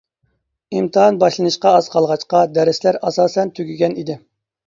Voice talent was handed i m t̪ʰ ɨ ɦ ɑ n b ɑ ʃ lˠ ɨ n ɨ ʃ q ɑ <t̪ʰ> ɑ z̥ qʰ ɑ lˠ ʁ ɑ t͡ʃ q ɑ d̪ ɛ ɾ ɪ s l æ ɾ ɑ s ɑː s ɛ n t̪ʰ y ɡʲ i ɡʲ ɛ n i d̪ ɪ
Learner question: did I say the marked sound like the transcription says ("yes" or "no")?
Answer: no